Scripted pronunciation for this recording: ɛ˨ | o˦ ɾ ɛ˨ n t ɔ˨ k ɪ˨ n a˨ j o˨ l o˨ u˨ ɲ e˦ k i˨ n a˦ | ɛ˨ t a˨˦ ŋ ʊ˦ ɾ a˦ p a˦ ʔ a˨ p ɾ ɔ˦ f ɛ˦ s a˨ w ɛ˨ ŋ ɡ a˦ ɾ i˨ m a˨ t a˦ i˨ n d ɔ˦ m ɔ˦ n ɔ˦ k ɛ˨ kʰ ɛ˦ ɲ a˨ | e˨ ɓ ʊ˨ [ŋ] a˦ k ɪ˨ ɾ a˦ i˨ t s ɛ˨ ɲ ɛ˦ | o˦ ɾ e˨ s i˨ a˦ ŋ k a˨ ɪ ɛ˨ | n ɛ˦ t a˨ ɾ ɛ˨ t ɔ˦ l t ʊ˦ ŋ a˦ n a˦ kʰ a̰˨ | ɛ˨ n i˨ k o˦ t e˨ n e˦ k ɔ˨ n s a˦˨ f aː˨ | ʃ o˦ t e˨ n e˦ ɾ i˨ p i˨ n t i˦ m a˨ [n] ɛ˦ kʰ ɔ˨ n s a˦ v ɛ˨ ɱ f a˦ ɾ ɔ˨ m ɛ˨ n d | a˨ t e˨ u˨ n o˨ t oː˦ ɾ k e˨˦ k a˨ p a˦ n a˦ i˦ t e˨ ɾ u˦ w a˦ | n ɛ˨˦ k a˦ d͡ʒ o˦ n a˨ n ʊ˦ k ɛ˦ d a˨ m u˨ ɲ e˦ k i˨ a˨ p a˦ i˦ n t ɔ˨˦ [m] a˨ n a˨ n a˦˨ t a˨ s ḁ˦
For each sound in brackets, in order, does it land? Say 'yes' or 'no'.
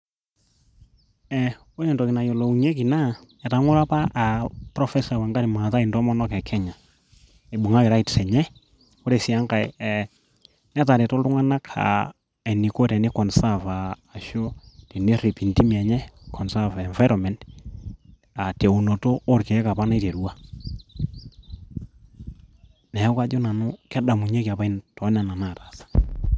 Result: yes, no, no

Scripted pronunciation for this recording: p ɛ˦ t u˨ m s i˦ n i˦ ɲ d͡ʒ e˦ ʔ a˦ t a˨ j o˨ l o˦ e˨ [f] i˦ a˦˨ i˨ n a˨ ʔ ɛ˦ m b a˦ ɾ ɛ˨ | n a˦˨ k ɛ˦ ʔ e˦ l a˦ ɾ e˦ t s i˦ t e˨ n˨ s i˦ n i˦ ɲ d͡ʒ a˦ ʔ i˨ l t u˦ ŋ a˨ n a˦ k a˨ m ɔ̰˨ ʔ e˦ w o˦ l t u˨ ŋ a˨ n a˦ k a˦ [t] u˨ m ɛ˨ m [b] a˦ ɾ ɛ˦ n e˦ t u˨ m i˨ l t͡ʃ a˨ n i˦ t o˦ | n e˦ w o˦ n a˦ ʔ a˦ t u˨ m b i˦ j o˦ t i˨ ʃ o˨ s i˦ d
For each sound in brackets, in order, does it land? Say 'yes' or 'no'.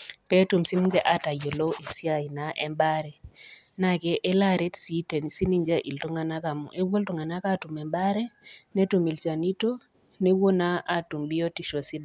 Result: no, yes, yes

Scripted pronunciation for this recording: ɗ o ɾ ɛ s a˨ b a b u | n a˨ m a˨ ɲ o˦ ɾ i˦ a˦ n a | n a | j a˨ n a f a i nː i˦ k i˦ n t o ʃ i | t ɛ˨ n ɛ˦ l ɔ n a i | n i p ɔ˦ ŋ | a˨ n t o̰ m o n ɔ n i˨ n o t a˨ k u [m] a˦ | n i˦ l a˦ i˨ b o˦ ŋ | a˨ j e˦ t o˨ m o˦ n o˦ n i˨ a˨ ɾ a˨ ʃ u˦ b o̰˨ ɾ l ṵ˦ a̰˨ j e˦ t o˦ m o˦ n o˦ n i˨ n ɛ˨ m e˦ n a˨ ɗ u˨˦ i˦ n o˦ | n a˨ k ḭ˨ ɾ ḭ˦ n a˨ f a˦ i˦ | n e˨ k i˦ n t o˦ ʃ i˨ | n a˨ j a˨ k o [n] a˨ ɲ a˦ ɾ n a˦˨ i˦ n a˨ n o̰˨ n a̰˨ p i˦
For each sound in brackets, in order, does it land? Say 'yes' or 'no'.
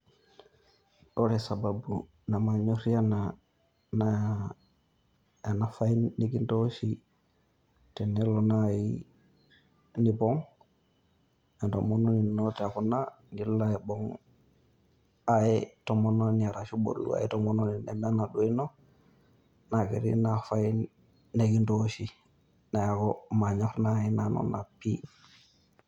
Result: no, no

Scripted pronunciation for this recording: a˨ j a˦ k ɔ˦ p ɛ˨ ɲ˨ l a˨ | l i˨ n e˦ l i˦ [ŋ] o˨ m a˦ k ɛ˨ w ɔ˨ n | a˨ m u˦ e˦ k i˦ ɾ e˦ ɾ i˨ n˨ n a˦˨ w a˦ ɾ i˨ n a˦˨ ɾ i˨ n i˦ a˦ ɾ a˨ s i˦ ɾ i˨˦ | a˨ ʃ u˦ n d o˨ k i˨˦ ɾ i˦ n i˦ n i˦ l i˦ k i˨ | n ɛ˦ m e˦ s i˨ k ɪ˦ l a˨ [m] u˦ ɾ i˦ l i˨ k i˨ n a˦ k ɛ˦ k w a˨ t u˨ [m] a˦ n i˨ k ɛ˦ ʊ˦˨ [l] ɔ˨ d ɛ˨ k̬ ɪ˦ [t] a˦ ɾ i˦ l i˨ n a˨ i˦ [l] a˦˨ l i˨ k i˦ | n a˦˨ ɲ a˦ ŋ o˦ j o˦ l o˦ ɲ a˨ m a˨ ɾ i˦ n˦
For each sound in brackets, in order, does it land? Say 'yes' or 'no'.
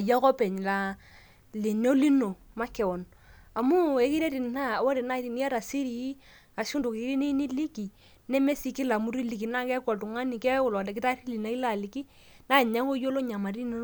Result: no, yes, no, yes, yes, yes

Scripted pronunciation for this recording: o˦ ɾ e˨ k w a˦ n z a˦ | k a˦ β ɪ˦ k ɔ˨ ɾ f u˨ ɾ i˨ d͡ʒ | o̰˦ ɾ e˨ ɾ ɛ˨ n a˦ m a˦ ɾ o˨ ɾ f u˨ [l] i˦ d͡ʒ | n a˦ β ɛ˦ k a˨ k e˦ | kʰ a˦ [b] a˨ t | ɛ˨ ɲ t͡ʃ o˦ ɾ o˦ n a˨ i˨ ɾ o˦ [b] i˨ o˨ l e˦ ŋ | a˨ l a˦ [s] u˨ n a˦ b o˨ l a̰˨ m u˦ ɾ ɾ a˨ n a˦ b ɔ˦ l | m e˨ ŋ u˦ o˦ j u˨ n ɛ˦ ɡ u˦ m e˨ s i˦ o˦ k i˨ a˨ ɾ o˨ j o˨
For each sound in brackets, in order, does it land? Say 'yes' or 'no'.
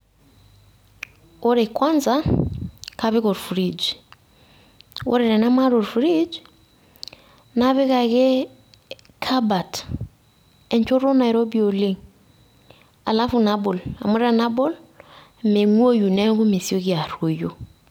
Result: no, yes, yes, no

